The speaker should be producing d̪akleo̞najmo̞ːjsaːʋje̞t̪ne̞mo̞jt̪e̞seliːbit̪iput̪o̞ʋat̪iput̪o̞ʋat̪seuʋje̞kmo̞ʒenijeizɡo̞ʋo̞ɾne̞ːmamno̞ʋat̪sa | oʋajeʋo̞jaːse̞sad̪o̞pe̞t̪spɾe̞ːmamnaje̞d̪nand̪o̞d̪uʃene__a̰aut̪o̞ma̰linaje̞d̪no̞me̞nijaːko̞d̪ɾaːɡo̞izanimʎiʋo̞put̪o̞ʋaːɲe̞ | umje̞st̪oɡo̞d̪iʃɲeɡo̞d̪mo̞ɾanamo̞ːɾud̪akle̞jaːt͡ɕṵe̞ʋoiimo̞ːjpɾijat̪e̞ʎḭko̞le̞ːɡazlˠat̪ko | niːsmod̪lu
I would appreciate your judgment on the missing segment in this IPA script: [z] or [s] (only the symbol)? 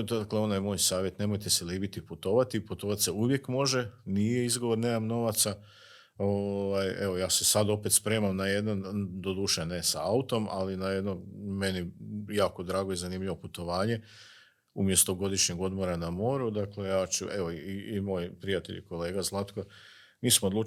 s